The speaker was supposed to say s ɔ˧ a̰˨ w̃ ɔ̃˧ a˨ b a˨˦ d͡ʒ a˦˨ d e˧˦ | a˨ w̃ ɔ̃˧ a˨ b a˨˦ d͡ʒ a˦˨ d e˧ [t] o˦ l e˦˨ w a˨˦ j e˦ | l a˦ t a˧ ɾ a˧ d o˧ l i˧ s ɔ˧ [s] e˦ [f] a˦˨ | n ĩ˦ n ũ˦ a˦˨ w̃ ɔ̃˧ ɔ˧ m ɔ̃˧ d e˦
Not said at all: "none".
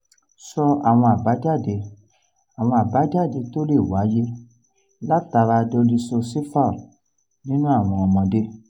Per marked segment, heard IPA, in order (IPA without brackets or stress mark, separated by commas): t, s, f